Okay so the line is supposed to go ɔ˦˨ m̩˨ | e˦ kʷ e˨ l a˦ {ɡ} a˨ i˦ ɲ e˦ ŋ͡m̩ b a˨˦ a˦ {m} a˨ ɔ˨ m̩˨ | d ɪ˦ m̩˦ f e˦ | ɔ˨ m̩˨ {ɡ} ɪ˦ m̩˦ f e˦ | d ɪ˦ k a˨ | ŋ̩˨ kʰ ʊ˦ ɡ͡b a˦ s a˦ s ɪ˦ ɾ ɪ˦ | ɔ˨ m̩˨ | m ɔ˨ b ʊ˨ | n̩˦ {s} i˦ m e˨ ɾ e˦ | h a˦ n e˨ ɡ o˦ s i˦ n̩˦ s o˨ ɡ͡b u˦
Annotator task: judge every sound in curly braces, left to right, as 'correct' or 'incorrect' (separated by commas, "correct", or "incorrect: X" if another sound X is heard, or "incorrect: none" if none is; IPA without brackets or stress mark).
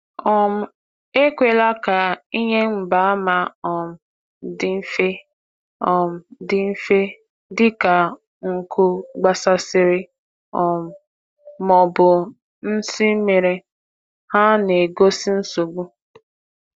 incorrect: k, correct, incorrect: d, correct